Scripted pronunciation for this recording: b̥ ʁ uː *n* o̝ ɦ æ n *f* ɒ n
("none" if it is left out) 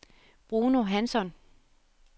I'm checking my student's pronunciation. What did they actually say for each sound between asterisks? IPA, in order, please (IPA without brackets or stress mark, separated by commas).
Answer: n, s